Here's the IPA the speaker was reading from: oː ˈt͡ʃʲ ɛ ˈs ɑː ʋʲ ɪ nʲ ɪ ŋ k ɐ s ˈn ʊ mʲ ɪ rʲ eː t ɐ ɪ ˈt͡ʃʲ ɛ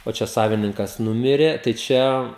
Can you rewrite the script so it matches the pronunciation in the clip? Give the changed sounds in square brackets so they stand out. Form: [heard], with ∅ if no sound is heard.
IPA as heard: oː ˈt͡ʃʲ ɛ ˈs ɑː ʋʲ ɪ nʲ ɪ ŋ k ɐ s ˈn ʊ mʲ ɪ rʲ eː t ɐ ɪ ˈt͡ʃʲ ɛ